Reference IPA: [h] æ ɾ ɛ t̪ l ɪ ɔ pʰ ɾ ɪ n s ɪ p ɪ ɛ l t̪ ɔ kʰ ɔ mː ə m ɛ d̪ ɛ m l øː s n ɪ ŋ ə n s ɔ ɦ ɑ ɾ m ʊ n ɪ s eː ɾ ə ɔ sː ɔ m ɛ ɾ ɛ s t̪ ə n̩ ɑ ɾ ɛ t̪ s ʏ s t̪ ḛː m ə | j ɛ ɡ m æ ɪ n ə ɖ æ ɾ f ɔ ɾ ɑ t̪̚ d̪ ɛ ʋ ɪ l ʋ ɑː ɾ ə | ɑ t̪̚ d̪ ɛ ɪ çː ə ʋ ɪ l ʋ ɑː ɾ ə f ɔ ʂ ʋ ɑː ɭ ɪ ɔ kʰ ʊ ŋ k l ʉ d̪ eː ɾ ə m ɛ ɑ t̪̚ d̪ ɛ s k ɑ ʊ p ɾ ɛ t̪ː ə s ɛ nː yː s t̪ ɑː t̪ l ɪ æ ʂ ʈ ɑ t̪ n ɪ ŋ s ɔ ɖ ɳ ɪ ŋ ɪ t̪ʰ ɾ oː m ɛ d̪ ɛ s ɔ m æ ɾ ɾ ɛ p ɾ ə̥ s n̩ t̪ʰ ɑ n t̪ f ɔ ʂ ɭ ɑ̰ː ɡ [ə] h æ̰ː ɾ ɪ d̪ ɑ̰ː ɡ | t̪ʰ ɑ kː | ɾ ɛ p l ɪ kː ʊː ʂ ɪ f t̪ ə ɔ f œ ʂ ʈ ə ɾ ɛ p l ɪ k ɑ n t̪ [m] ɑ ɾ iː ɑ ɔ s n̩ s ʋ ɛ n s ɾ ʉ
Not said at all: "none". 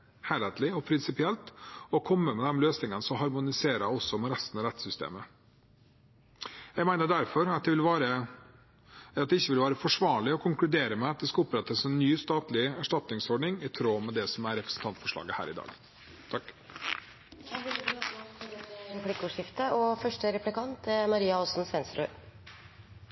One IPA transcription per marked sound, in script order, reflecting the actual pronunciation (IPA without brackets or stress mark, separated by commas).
h, ə, m